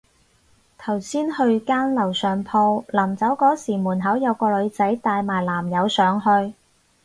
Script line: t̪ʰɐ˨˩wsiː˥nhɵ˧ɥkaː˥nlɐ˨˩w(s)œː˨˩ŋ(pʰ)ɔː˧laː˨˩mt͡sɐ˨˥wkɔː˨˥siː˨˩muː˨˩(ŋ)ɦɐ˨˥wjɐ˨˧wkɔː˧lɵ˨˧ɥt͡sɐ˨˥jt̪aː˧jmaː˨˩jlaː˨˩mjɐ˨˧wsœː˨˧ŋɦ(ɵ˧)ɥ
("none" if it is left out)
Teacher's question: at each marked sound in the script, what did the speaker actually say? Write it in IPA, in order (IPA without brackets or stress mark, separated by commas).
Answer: s, pʰ, n, ɵ˧